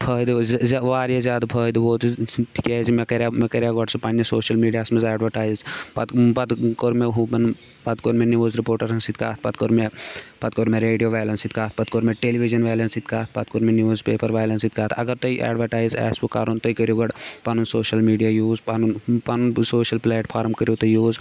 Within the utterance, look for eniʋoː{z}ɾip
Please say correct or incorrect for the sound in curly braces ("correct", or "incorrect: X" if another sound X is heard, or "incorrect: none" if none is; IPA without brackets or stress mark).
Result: correct